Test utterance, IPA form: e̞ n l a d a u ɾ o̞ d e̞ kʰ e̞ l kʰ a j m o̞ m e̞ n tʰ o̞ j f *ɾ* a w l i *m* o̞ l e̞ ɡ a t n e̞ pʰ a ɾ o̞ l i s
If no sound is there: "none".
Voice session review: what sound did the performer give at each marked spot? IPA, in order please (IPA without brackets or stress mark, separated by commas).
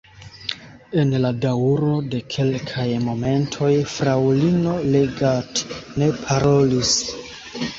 ɾ, n